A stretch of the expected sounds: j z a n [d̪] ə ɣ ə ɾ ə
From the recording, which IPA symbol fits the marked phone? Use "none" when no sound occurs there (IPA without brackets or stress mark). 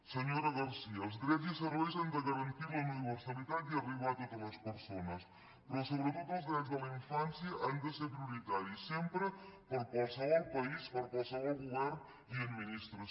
d̪